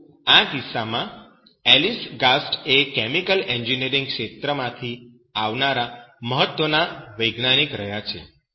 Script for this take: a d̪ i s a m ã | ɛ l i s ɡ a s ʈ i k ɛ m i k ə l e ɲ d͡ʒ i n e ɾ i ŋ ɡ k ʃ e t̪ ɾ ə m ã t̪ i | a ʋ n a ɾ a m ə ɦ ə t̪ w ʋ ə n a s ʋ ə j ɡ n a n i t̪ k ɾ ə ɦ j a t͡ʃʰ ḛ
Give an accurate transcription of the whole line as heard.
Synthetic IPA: a d̪ i s a m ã | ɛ l i s ɡ a s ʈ e k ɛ m i k ə l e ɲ d͡ʒ i n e ɾ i ŋ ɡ k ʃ e t̪ ɾ ə m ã t̪ʰ i | a ʋ n a ɾ a m ə ɦ ə t̪ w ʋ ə n a ʋ ə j ɡ n a n i k ɾ ə ɦ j a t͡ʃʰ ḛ